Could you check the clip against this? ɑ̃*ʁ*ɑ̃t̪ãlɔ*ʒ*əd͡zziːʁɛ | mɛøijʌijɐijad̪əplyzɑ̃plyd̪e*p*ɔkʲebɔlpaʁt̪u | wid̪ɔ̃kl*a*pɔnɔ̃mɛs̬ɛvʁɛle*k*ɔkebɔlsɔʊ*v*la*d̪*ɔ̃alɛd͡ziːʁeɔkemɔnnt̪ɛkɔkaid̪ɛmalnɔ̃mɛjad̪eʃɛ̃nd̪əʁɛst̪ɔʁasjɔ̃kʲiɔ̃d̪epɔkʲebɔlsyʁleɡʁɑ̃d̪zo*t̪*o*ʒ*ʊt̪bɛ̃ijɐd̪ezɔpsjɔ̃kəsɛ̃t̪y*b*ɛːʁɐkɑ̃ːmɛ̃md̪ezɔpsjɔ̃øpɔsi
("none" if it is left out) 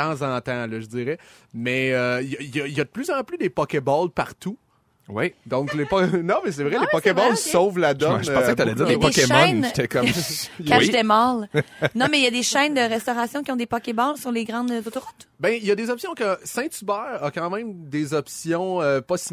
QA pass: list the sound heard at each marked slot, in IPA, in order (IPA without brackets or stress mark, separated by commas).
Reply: z, ʒ, p, e, p, v, d̪, t̪, ʁ, b